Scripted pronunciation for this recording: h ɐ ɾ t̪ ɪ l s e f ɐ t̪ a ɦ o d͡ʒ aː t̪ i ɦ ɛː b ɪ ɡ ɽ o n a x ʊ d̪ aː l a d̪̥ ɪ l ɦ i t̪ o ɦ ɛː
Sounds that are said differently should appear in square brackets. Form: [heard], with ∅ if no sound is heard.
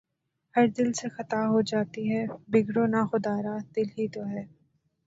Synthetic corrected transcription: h ɐ ɾ [d̪] ɪ l s e [x] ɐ t̪ a ɦ o d͡ʒ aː t̪ i ɦ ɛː b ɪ ɡ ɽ o n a x ʊ d̪ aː [ɾ] a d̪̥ ɪ l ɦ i t̪ o ɦ ɛː